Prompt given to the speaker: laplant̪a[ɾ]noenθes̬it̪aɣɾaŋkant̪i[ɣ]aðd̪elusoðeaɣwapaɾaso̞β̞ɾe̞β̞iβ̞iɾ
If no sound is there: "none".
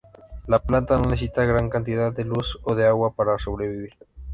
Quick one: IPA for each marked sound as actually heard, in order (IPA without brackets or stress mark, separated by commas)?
none, ð